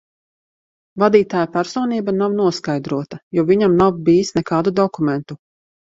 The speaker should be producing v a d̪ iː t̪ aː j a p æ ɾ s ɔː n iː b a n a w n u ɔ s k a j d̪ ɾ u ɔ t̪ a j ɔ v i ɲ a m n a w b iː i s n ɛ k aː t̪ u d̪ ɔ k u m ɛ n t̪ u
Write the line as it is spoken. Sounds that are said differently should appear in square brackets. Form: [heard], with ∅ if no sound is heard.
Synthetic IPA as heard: v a d̪ iː t̪ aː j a p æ ɾ s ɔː n iː b a n a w n u ɔ s k a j d̪ ɾ u ɔ t̪ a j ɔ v i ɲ a m n a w b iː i s n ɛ k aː [d̪] u d̪ ɔ k u m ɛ n t̪ u